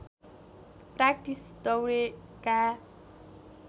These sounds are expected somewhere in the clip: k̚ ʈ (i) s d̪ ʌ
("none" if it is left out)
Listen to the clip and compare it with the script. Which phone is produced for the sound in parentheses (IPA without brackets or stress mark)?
i